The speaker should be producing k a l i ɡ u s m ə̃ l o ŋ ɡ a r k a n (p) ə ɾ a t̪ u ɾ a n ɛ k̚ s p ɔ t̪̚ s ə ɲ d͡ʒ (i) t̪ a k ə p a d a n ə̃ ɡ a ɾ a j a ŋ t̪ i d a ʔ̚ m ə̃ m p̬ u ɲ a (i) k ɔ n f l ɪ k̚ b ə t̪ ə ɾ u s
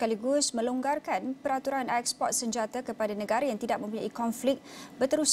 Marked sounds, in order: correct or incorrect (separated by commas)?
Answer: correct, incorrect, correct